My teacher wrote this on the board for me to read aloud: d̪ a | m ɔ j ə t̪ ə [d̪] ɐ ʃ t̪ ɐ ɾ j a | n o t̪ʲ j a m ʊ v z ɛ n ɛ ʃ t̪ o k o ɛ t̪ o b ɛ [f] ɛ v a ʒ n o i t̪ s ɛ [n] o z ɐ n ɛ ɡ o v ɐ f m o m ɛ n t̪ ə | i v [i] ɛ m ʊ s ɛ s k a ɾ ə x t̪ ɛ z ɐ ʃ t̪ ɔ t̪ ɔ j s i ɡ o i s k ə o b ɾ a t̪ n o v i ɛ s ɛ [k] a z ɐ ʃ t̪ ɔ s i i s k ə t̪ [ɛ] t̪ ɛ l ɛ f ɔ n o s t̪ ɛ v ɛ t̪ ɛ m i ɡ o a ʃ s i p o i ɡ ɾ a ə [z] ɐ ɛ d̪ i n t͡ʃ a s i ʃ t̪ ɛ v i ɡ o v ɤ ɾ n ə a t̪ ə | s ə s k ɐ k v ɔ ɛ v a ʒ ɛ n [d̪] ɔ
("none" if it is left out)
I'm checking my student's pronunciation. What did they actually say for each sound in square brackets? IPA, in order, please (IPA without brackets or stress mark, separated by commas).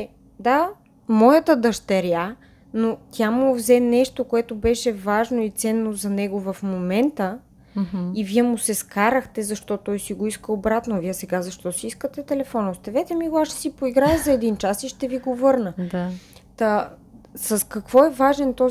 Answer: d̪, ʃ, nː, i, ɡ, ɛ, z, t̪